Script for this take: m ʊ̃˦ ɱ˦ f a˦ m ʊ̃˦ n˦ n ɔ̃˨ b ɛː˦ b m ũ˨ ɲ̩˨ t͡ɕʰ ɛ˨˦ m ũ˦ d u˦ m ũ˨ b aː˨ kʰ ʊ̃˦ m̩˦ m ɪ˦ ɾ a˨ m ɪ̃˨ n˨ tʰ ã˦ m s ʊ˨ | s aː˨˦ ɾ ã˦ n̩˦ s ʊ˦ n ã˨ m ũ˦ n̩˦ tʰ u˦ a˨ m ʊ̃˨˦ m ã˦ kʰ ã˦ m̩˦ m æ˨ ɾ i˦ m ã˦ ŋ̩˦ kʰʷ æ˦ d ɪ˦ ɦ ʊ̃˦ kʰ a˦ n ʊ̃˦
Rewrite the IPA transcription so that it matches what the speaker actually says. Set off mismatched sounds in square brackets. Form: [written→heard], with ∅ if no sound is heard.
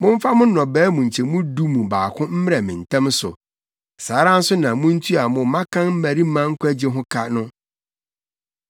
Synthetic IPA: m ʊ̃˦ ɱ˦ f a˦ m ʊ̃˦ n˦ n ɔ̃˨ b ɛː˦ [b→∅] m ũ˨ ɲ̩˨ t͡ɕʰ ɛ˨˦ m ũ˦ d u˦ m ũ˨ b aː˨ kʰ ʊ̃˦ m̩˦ m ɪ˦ ɾ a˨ m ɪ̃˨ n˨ tʰ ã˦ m s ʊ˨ | s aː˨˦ ɾ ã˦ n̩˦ s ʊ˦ n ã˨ m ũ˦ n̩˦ tʰ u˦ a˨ m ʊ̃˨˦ m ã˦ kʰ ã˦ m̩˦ m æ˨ ɾ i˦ m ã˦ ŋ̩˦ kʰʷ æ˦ [d→d͡ʑ] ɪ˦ ɦ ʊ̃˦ kʰ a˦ n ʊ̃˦